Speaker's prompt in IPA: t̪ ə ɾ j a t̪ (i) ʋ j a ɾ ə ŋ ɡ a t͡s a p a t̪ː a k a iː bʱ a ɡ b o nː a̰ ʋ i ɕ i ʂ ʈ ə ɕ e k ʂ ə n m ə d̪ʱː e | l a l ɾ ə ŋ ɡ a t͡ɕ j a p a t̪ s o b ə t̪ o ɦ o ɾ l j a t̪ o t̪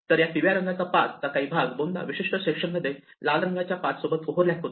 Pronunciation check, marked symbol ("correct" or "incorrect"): correct